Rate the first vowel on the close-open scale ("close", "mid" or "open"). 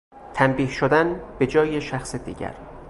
open